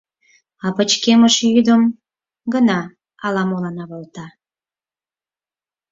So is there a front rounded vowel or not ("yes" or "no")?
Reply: yes